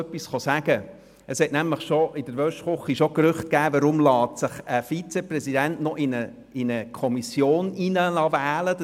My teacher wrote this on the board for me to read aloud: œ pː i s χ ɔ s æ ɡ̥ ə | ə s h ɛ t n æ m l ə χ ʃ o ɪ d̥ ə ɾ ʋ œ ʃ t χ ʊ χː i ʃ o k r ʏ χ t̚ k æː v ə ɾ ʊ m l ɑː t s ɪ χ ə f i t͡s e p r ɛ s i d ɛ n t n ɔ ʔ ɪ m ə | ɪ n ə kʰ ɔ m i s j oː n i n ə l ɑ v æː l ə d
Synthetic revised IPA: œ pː i s χ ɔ s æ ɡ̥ ə | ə s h ɛ t n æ m l ə χ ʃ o ɪ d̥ ə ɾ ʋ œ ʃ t χ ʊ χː i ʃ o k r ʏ χ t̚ k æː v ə ɾ ʊ m l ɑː t s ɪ χ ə f i t͡s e p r ɛ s i d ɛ n t n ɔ ʔ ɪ n ə | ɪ n ə kʰ ɔ m i s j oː n i n ə l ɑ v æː l ə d